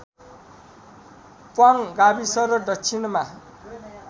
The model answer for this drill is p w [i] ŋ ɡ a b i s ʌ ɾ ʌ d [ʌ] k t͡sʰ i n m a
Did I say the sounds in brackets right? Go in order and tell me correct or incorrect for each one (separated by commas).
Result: incorrect, correct